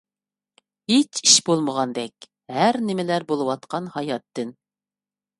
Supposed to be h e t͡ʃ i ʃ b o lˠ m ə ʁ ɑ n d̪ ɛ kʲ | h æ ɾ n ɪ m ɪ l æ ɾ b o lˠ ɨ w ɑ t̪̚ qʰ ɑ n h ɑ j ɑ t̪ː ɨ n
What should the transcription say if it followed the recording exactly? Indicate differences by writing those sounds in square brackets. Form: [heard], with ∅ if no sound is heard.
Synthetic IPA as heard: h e t͡ʃ i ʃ b o lˠ m ə ʁ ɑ n d̪ ɛ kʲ | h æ ɾ n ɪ m ɪ l æ ɾ b o lˠ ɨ w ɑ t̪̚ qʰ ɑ n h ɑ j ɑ t̪ː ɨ n